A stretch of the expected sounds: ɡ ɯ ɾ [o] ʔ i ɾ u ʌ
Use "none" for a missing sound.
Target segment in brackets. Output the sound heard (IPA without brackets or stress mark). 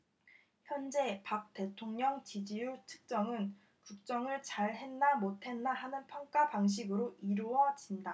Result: o